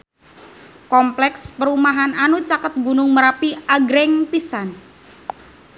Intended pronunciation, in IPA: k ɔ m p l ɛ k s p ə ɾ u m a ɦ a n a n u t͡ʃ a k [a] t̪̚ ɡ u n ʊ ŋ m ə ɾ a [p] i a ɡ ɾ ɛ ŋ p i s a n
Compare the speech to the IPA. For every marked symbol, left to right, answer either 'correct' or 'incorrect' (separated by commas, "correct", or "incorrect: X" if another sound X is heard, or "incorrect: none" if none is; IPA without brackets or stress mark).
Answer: incorrect: ə, correct